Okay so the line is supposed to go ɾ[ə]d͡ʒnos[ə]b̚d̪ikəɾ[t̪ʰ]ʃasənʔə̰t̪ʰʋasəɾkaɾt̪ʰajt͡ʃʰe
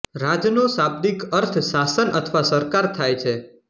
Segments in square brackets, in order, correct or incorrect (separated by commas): incorrect, incorrect, correct